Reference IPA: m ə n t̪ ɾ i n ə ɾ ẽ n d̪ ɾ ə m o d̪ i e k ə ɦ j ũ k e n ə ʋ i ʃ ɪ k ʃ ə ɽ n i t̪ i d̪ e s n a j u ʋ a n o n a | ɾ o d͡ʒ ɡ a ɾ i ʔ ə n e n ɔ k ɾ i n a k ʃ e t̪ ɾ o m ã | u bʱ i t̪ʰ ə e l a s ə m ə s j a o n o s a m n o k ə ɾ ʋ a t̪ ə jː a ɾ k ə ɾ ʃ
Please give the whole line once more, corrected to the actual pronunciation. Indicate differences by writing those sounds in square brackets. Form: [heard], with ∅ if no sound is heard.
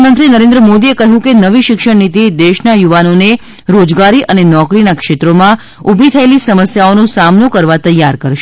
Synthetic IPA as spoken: m ə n t̪ ɾ i n ə ɾ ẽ n d̪ ɾ ə m o d̪ i e k ə ɦ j ũ k e n ə ʋ i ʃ ɪ k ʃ ə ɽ n i t̪ i d̪ e [ʃ] n a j u ʋ a n o n [e] | ɾ o d͡ʒ ɡ a ɾ i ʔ ə n e n ɔ k ɾ i n a k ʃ e t̪ ɾ o m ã | u bʱ i t̪ʰ ə e l [i] s ə m ə s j a o n o s a m n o k ə ɾ ʋ a t̪ ə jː a ɾ k ə ɾ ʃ